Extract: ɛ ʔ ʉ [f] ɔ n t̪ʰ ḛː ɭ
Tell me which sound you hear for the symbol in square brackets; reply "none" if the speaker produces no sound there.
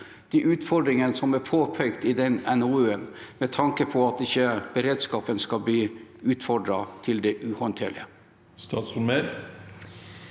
h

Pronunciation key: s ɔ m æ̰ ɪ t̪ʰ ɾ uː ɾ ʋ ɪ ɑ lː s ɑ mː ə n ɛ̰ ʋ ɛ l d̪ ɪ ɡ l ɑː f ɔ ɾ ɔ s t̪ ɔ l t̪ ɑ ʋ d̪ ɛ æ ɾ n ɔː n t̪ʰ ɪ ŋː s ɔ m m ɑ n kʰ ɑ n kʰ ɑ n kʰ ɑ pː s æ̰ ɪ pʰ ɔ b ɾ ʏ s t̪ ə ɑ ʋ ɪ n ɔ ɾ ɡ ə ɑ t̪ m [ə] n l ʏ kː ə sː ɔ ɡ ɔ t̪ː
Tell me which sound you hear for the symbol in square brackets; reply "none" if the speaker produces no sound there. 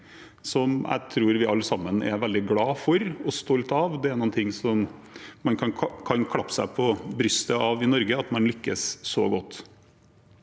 ɑ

